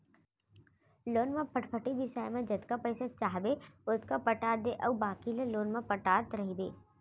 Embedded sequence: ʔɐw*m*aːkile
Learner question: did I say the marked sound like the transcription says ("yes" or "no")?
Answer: no